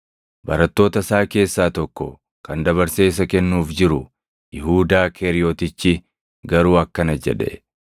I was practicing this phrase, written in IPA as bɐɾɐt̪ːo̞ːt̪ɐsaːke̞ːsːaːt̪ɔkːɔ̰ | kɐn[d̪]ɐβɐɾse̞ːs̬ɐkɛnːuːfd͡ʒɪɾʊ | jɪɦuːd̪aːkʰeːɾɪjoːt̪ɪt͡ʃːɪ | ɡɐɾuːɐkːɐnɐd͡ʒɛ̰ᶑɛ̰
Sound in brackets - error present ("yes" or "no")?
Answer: no